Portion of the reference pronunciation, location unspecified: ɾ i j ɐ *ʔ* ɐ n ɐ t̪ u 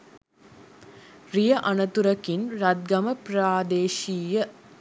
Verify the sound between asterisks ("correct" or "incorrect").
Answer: correct